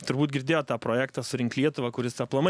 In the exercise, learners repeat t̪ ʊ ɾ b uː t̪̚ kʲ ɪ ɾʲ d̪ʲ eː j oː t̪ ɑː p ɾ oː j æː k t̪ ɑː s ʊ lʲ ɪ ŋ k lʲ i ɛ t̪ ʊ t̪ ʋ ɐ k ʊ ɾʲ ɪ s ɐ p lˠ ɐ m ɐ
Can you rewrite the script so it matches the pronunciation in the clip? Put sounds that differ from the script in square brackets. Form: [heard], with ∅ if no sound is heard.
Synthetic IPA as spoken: t̪ ʊ ɾ b uː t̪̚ [ɡʲ] ɪ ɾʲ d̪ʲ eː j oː t̪ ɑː p ɾ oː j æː k t̪ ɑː s ʊ [ɾʲ] ɪ ŋ k lʲ i ɛ t̪ ʊ [∅] ʋ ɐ k ʊ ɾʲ ɪ s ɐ p lˠ ɐ m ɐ